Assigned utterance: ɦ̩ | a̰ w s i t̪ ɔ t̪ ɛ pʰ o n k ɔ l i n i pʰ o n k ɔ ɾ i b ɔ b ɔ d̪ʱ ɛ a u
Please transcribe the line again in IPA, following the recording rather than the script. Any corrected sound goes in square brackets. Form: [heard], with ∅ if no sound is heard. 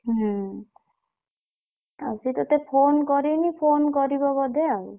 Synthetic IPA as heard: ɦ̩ | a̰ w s i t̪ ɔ t̪ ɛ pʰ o n k ɔ [ɾ] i n i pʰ o n k ɔ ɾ i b ɔ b ɔ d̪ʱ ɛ a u

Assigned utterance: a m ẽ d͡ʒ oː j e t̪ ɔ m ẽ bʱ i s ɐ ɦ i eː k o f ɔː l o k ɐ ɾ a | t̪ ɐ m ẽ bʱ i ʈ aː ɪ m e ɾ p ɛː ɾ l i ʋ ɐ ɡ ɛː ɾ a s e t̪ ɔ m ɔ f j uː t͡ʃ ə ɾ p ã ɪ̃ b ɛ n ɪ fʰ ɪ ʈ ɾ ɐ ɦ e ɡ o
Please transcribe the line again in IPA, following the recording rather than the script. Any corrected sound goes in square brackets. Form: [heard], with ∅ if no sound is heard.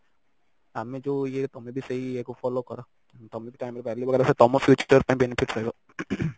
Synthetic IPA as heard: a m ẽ d͡ʒ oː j e t̪ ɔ m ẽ bʱ i s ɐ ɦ i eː k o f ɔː l o k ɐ ɾ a | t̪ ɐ m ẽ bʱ i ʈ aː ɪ m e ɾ p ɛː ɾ l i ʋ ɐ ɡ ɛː ɾ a s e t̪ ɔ m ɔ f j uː t͡ʃ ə ɾ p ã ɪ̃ b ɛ n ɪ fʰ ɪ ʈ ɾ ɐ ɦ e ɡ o

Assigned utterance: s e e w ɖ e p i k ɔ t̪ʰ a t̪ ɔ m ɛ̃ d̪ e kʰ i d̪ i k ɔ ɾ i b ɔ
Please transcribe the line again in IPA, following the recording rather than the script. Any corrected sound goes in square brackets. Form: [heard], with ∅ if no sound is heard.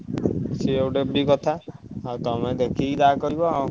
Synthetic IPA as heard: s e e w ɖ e [b] i k ɔ t̪ʰ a t̪ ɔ m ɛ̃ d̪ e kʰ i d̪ [a] k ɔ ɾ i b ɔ

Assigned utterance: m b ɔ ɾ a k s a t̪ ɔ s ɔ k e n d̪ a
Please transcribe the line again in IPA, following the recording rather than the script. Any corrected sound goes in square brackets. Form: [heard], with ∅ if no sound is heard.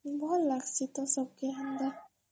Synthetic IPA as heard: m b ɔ [l] a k s [i] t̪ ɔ s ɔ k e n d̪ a

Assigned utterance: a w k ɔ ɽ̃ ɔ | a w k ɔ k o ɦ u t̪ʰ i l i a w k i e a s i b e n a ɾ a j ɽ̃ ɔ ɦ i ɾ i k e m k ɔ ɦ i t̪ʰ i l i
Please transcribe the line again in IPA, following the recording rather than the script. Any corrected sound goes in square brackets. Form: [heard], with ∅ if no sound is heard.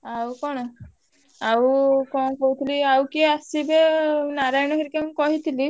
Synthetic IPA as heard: a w k ɔ ɽ̃ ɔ | a w k ɔ k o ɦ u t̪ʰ i l i a w k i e a s i b e n a ɾ a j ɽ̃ ɔ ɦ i ɾ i k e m k ɔ ɦ i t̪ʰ i l i

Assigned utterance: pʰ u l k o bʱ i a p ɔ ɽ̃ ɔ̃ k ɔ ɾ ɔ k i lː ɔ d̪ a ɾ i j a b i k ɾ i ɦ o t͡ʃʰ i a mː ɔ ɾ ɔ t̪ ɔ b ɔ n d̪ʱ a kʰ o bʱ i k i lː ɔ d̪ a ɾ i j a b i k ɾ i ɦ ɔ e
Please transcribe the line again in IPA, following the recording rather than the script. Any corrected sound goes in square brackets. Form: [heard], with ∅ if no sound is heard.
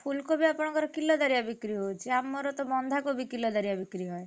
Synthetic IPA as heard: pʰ u l k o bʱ i a p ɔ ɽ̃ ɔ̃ k ɔ ɾ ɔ k i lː ɔ d̪ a ɾ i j a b i k ɾ i ɦ o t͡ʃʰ i a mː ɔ ɾ ɔ t̪ ɔ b ɔ n d̪ʱ a [k] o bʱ i k i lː ɔ d̪ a ɾ i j a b i k ɾ i ɦ ɔ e

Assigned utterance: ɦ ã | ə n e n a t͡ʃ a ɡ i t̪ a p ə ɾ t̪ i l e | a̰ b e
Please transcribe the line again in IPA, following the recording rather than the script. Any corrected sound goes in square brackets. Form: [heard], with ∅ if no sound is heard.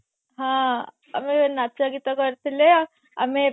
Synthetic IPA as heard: ɦ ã | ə [m] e n a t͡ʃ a ɡ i t̪ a [k] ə ɾ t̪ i l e | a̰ [m] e

